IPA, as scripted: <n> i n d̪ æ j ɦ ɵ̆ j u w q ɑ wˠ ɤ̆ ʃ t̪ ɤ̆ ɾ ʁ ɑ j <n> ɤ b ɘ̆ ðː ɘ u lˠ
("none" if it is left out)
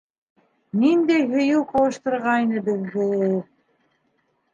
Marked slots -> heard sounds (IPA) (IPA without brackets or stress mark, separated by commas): n, n